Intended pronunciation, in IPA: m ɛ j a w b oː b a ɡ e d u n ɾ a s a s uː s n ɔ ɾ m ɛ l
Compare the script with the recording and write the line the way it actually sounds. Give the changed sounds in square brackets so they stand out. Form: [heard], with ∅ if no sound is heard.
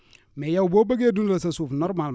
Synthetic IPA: m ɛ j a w b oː b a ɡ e d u n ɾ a s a s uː [f] n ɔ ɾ m [a] l